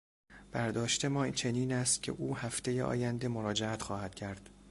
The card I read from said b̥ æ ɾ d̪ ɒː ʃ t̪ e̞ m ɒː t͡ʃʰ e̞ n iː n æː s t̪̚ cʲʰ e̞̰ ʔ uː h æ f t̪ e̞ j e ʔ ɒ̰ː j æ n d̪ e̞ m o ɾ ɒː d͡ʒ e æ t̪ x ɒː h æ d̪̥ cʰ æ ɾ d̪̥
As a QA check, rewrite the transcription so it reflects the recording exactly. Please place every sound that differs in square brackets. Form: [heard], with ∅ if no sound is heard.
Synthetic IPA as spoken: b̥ æ ɾ d̪ ɒː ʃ t̪ e̞ m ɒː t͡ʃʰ e̞ n iː n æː s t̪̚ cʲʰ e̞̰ ʔ uː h æ f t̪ e̞ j e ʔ ɒ̰ː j æ n d̪ e̞ m o ɾ ɒː d͡ʒ e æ t̪ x ɒː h æ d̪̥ cʰ æ ɾ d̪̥